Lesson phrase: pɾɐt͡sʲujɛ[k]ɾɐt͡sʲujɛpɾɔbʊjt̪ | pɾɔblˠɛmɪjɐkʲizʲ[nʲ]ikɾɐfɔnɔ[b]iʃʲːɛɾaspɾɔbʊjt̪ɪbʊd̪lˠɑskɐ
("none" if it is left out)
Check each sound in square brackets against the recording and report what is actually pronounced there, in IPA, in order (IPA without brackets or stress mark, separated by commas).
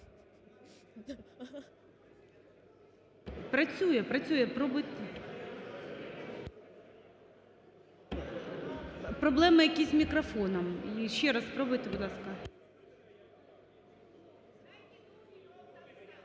p, mʲ, m